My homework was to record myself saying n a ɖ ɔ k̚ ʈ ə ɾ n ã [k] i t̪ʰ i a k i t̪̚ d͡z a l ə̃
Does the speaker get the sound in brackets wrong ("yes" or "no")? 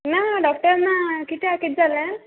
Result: no